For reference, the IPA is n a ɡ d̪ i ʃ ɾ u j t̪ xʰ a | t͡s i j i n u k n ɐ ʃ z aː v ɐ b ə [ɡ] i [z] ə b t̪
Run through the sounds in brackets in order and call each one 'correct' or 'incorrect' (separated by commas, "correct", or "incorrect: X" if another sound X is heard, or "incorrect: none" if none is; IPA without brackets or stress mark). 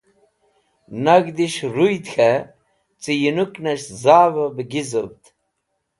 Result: correct, correct